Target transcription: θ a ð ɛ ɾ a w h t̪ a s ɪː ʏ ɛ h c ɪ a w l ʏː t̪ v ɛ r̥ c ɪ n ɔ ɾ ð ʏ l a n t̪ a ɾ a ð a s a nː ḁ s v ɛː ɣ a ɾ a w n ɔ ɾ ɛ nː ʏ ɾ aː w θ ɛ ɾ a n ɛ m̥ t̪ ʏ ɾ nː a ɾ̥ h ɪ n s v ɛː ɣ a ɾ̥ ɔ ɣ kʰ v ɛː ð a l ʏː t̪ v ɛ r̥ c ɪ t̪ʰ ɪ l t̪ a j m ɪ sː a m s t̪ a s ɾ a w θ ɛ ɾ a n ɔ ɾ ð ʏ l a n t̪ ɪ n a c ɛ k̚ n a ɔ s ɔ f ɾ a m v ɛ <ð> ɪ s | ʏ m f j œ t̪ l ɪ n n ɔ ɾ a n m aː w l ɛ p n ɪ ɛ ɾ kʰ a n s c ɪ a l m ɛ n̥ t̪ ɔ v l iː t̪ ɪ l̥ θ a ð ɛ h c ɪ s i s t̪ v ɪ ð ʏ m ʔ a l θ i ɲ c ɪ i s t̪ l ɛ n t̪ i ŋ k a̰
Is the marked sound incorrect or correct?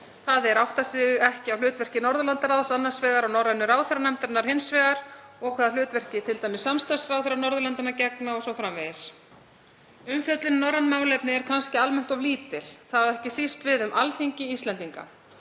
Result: correct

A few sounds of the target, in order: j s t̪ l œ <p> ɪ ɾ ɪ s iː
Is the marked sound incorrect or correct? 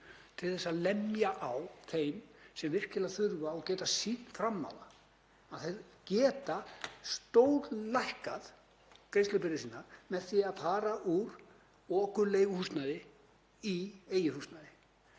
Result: correct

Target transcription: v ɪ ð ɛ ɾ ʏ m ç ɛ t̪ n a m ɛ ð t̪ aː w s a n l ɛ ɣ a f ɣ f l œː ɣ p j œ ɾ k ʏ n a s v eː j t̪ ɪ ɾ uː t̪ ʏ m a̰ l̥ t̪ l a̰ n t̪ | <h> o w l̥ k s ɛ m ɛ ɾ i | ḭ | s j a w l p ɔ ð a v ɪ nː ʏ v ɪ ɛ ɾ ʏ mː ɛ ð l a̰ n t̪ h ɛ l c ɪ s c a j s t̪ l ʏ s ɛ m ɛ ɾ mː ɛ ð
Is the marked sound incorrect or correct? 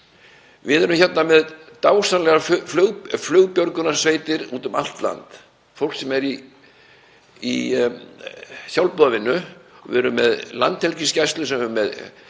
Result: incorrect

